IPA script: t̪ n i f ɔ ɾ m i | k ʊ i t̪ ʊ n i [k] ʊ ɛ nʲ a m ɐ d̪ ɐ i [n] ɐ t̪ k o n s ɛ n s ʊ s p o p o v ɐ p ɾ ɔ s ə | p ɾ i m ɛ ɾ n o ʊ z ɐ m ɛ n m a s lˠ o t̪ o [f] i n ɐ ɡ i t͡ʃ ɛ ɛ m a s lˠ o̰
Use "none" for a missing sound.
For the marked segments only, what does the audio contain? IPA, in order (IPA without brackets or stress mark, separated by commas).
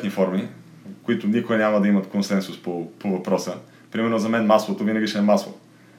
k, m, v